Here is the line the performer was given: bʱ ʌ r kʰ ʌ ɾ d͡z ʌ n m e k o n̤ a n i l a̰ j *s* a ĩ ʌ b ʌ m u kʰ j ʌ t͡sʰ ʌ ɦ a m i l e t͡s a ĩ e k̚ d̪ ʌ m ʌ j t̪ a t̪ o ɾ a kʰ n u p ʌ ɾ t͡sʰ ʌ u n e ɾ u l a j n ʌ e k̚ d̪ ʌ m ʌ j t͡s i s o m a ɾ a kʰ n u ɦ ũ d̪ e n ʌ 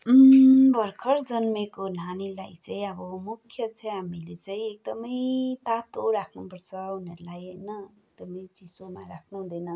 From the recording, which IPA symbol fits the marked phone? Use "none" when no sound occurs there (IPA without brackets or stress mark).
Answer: t͡s